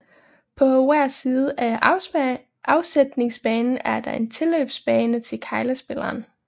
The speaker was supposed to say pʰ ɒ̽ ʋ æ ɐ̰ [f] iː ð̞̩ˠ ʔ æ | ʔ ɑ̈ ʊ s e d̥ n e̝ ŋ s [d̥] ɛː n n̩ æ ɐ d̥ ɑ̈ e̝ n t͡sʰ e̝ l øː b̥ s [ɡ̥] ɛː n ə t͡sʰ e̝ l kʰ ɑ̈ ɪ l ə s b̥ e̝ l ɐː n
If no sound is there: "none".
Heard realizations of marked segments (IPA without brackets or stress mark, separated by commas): s, b̥, b̥